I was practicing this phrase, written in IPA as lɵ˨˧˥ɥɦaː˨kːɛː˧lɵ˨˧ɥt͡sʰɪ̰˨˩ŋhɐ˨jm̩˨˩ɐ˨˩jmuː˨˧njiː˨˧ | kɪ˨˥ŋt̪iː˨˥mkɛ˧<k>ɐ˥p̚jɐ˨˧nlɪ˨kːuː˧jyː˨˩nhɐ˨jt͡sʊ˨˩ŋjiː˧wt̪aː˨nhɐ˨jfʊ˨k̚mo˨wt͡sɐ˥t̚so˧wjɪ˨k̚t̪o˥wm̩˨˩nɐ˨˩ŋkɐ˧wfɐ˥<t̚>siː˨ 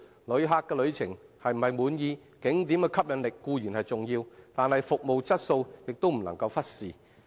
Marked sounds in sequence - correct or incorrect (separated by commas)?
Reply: incorrect, correct